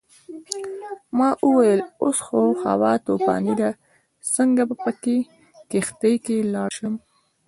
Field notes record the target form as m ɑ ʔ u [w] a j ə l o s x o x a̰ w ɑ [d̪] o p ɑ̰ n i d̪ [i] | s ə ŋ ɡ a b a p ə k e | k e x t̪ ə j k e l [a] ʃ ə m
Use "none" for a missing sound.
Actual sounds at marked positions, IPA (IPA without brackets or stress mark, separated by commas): w, t̪, a, ɑ